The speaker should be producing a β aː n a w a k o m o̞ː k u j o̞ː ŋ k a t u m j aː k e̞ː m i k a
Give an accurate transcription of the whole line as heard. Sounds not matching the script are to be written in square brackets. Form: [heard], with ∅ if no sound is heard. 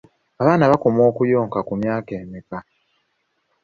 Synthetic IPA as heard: a β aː n a [β] a k o m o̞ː k u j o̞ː ŋ k a [k] u m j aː k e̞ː m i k a